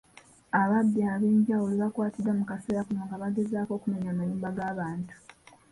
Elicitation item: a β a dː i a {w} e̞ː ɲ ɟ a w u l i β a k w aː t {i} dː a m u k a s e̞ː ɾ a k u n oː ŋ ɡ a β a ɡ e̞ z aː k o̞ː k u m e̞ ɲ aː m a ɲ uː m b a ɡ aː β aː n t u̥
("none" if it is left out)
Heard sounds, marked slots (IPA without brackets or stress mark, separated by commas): β, i